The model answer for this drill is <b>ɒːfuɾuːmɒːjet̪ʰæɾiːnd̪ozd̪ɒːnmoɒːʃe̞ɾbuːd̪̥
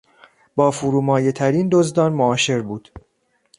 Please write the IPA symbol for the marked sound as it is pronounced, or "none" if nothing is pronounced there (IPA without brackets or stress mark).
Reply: b